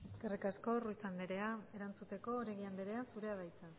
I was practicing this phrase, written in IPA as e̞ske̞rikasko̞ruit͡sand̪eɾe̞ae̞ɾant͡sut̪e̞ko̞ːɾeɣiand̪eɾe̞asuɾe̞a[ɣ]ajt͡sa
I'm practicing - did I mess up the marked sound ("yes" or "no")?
yes